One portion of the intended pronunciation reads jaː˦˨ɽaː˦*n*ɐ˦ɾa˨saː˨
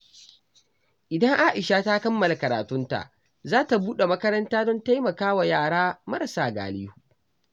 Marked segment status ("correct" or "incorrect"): incorrect